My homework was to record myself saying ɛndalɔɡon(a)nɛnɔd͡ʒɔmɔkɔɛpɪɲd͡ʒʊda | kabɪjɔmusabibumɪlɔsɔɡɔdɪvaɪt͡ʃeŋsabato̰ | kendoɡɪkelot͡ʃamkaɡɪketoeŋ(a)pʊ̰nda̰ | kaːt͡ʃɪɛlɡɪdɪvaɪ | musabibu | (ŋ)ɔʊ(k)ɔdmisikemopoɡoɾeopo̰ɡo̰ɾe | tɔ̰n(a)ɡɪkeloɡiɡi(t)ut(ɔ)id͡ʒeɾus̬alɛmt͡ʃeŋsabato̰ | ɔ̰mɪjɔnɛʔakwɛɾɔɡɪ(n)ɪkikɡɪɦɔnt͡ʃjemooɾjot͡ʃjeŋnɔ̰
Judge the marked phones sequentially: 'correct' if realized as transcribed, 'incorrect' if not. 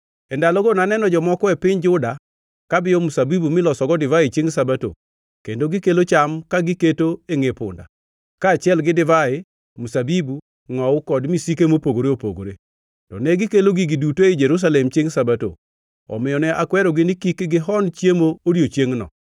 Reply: correct, incorrect, correct, correct, incorrect, incorrect, incorrect, correct

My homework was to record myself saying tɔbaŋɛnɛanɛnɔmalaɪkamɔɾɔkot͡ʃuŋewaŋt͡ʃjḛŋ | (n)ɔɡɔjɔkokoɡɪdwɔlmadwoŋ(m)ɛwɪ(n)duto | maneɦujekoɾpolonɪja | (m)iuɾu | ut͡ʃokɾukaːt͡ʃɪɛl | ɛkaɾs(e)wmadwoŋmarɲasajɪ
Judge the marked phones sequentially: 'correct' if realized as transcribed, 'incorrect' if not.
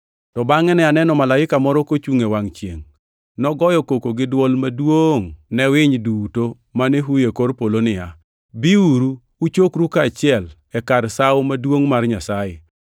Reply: correct, incorrect, incorrect, incorrect, incorrect

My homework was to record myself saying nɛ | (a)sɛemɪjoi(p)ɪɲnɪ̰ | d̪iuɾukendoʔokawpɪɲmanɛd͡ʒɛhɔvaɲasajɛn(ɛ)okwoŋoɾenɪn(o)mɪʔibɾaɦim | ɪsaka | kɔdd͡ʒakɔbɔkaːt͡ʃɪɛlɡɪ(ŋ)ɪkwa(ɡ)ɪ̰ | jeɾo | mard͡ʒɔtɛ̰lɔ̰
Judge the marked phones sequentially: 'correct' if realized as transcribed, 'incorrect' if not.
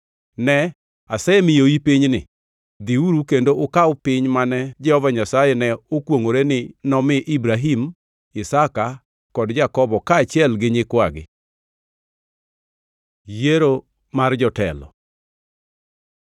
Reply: correct, correct, correct, incorrect, incorrect, correct

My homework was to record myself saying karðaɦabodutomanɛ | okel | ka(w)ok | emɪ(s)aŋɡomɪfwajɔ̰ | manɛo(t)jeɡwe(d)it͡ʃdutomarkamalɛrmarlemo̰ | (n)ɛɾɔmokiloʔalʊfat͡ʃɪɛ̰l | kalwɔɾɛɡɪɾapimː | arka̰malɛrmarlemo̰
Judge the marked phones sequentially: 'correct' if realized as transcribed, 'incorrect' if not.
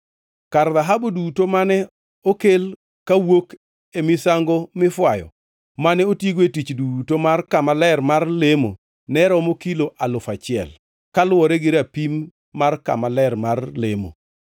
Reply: correct, correct, correct, incorrect, correct

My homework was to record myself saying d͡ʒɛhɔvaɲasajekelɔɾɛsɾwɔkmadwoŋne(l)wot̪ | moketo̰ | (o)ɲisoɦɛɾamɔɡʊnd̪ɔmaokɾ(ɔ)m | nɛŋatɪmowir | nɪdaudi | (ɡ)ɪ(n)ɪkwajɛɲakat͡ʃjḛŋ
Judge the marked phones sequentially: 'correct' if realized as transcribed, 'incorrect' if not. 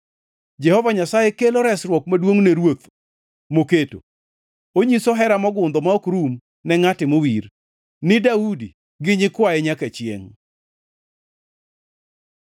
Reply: incorrect, correct, incorrect, correct, incorrect

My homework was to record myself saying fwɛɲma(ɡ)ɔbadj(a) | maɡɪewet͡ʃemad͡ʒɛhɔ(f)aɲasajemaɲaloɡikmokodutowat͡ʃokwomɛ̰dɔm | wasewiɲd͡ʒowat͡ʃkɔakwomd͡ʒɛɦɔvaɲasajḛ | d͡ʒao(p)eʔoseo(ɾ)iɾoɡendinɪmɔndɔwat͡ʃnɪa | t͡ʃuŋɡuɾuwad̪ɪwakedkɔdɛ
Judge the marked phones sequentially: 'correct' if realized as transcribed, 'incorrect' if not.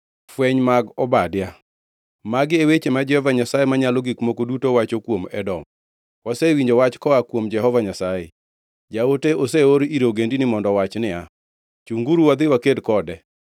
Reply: correct, correct, incorrect, incorrect, correct

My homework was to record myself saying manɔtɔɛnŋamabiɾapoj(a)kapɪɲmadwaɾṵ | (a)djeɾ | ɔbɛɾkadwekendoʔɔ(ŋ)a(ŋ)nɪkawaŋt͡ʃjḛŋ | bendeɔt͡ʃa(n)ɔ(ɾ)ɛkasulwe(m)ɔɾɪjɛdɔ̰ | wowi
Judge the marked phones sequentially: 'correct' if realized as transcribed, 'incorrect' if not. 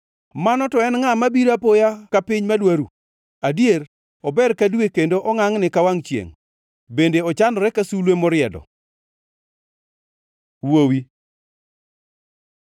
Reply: correct, correct, correct, correct, correct, correct, correct

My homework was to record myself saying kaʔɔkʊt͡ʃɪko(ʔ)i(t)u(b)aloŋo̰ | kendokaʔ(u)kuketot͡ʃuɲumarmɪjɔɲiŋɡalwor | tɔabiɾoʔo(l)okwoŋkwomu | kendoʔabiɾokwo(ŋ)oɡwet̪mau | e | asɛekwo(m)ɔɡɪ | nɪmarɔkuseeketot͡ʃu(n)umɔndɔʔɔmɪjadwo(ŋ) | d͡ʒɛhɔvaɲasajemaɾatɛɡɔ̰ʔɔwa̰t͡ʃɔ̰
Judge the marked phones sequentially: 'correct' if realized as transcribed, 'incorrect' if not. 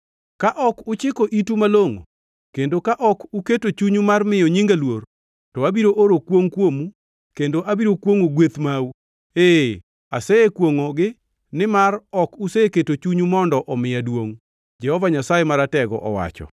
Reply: correct, correct, incorrect, incorrect, incorrect, correct, incorrect, incorrect, correct

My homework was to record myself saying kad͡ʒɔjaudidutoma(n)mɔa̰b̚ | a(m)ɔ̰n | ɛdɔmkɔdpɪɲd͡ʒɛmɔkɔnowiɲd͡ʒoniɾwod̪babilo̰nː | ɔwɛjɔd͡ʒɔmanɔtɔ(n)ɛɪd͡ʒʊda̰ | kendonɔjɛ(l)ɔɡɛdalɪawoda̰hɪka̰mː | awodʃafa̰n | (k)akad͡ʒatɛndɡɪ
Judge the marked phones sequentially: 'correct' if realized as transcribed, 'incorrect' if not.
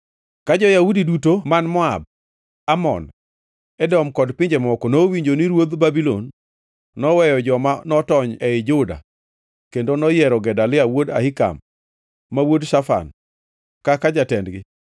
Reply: correct, correct, incorrect, incorrect, correct

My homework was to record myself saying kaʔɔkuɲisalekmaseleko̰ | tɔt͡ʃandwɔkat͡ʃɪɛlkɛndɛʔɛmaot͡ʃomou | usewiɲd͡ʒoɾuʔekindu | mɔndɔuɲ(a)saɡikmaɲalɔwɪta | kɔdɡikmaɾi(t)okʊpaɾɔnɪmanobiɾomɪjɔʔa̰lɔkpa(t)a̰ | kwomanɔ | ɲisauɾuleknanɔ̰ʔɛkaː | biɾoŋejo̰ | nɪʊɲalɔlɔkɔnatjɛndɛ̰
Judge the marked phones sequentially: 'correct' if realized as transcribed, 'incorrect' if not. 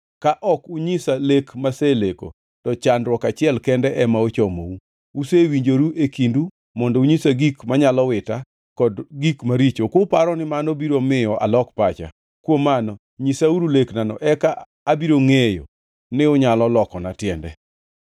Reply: incorrect, incorrect, incorrect

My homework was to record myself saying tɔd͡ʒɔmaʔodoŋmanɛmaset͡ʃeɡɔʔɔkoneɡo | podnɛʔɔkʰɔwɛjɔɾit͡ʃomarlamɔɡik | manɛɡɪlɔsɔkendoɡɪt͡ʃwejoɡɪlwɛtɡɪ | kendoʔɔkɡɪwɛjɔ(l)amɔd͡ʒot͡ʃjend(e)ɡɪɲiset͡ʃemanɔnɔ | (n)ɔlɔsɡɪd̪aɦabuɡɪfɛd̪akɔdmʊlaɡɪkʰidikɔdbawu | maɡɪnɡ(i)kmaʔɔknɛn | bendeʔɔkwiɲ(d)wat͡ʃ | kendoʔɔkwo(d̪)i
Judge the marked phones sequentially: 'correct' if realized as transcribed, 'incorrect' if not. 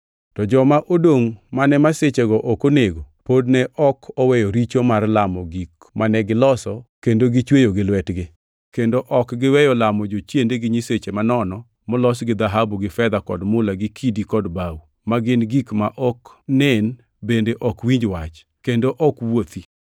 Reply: correct, correct, incorrect, correct, incorrect, incorrect

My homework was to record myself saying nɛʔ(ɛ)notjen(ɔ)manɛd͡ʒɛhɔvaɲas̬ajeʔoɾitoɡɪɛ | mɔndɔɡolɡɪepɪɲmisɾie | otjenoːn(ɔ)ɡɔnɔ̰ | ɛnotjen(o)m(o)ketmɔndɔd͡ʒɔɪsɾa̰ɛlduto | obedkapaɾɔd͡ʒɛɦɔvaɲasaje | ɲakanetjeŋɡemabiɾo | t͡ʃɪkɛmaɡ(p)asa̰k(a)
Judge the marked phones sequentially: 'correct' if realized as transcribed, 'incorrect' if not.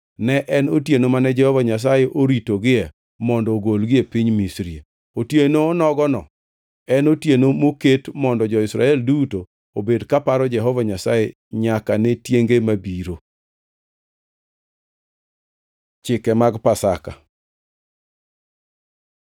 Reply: correct, incorrect, correct, correct, correct, correct, correct

